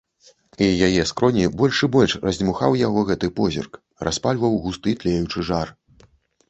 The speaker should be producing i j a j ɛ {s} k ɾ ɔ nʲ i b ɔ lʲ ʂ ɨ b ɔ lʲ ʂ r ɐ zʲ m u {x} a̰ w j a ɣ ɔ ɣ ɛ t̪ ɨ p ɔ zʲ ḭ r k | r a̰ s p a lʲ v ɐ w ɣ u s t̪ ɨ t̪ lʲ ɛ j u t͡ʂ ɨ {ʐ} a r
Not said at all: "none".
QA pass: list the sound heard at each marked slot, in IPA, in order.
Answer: s, x, ʐ

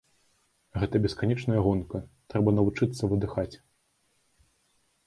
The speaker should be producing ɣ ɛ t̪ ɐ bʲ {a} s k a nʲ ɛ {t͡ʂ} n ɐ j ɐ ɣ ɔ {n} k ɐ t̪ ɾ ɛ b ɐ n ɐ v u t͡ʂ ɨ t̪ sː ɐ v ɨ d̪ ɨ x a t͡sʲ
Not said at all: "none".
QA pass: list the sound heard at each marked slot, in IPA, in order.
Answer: ɛ, t͡ʂ, n

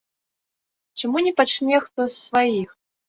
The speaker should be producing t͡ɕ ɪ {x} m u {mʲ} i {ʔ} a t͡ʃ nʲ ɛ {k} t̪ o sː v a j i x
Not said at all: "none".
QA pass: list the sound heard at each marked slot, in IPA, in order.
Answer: none, nʲ, p, x

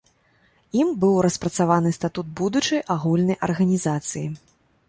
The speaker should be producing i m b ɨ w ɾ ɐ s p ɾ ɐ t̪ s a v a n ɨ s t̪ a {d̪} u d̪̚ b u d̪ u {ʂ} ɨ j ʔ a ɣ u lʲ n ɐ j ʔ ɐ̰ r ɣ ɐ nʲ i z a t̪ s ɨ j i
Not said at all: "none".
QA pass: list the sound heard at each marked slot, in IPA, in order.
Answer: t̪, t͡ʂ

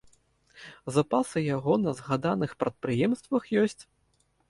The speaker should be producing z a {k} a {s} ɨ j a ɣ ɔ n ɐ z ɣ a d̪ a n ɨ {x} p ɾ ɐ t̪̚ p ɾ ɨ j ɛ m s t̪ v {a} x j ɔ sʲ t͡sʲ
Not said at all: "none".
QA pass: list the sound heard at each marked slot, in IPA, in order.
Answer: p, s, x, ɐ

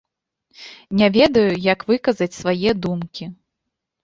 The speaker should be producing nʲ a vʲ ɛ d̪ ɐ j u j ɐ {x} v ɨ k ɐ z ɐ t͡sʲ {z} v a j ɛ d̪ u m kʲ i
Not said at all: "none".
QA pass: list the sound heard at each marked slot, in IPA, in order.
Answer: k, s

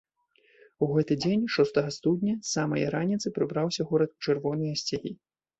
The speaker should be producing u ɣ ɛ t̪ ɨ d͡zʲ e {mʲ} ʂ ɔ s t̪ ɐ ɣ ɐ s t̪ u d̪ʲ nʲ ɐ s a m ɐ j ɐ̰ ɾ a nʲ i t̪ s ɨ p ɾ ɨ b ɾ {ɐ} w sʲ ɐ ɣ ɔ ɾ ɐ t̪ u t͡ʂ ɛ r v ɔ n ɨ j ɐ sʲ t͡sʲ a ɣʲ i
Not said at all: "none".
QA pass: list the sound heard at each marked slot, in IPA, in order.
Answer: nʲ, a

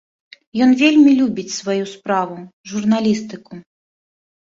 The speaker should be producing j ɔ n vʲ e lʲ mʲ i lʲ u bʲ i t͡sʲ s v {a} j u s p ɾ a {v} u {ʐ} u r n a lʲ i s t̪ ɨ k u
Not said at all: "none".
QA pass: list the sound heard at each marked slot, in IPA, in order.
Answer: a, v, ʐ

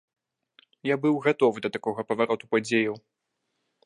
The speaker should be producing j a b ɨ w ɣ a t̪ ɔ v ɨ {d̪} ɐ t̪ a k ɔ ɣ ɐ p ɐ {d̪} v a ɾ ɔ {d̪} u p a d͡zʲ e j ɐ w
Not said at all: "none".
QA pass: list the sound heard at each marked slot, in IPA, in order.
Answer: d̪, none, t̪

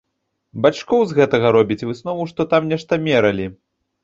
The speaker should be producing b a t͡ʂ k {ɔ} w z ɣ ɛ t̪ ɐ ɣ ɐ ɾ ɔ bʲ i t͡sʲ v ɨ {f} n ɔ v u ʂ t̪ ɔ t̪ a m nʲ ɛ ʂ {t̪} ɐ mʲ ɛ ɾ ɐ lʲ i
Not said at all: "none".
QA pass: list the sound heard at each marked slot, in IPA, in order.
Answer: ɔ, s, t̪

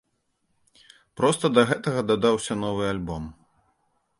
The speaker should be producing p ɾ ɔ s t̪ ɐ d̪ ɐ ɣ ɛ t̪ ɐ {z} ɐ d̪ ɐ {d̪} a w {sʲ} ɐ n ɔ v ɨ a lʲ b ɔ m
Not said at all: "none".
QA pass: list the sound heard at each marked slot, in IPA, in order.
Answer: ɣ, d̪, sʲ

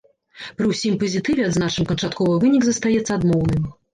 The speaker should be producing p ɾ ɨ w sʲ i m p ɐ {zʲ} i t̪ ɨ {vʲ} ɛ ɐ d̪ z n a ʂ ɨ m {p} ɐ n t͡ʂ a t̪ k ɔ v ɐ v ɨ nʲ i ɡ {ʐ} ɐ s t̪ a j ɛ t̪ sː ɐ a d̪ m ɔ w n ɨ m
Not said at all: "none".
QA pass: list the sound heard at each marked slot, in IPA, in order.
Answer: zʲ, vʲ, k, z

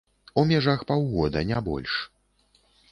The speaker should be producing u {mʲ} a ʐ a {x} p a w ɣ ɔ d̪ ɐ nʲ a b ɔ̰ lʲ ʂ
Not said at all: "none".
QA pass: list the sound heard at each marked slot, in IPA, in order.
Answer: mʲ, x

